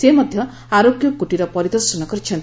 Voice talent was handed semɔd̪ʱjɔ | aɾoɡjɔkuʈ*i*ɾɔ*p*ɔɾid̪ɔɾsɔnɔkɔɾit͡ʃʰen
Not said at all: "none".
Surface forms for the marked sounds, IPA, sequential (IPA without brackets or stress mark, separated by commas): i, p